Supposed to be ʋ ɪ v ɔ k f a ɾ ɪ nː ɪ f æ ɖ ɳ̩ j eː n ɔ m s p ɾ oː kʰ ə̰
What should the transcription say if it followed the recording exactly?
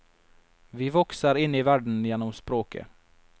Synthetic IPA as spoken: v ɪ v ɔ k s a ɾ ɪ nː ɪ v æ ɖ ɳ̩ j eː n ɔ m s p ɾ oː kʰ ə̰

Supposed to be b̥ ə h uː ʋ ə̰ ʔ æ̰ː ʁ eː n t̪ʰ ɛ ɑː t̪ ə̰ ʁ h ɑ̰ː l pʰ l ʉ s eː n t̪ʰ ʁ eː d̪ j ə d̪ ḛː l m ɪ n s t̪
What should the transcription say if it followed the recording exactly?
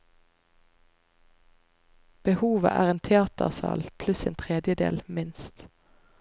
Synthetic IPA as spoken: b̥ ə h uː ʋ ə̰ ʔ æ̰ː ʁ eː n t̪ʰ ɛ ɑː t̪ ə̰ ʁ s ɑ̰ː l pʰ l ʉ s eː n t̪ʰ ʁ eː d̪ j ə d̪ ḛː l m ɪ n s t̪

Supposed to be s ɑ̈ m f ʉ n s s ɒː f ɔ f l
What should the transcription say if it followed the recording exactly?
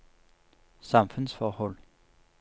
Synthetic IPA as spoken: s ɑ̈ m f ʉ n s f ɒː h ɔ l

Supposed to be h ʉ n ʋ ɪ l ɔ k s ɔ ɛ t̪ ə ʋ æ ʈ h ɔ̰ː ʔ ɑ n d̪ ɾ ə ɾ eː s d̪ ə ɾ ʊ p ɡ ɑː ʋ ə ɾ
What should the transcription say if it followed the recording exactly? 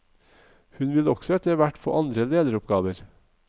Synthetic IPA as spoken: h ʉ n ʋ ɪ l ɔ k s ɔ ɛ t̪ ə ʋ æ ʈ f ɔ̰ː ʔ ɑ n d̪ ɾ ə l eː d̪ ə ɾ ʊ p ɡ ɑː ʋ ə ɾ

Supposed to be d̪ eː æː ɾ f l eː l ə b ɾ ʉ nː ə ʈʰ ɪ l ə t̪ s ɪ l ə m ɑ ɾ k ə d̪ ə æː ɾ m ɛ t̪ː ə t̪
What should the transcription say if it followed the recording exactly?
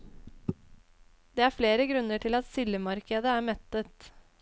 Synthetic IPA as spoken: d̪ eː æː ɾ f l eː ɾ ə ɡ ɾ ʉ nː ə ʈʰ ɪ l ɑ t̪ s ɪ l ə m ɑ ɾ k ə d̪ ə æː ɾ m ɛ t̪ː ə t̪

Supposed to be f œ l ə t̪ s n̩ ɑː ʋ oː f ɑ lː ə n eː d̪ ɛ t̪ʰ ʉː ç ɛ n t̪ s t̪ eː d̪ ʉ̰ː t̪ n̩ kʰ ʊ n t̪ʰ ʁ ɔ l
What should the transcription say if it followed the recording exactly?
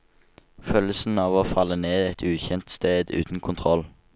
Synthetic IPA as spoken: f œ l ə s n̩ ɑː ʋ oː f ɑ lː ə n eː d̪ ɛ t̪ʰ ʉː ç ɛ n t̪ s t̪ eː d̪ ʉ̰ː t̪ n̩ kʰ ʊ n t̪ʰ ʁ ɔ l

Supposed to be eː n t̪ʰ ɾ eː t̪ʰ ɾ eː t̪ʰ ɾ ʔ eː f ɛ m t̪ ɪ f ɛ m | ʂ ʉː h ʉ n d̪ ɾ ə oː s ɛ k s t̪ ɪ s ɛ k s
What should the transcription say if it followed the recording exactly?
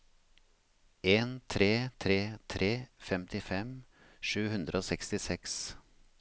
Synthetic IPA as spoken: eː n t̪ʰ ɾ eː t̪ʰ ɾ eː t̪ʰ ɾ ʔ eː f ɛ m t̪ ɪ f ɛ m | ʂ ʉː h ʉ n d̪ ɾ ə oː s ɛ k s t̪ ɪ s ɛ k s

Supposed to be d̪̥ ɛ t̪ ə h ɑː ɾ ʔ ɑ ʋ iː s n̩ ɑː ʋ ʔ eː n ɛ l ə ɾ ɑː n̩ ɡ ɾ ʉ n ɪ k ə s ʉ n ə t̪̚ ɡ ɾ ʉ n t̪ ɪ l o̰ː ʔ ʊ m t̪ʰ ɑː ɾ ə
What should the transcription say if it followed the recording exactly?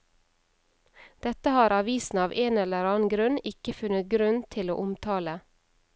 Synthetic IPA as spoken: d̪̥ ɛ t̪ ə h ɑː ɾ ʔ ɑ ʋ iː s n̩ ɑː ʋ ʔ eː n ɛ l ə ɾ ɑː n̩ ɡ ɾ ʉ n ɪ k ə f ʉ n ə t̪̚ ɡ ɾ ʉ n t̪ʰ ɪ l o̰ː ʔ ʊ m t̪ʰ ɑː l ə

